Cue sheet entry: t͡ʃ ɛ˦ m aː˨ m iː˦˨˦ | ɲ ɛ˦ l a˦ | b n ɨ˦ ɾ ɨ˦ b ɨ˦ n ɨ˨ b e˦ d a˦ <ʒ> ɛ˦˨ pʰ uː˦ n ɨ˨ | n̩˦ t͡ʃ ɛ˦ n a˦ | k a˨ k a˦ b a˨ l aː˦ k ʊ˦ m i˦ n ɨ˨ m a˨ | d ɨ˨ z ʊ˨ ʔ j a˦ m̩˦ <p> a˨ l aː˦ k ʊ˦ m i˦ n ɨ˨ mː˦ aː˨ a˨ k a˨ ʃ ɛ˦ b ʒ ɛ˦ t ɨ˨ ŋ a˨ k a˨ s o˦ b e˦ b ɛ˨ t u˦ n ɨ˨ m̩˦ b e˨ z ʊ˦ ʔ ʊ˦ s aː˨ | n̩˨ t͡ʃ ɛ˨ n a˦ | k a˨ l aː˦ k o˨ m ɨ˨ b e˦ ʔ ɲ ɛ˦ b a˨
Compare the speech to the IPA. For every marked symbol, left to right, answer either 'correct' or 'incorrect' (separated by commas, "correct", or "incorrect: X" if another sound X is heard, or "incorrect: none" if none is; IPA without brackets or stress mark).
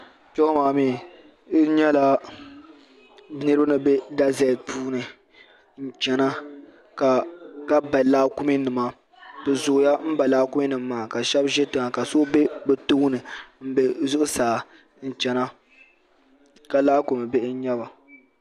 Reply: incorrect: z, incorrect: b